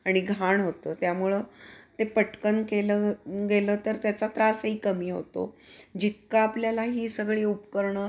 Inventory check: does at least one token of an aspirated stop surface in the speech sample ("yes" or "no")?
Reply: no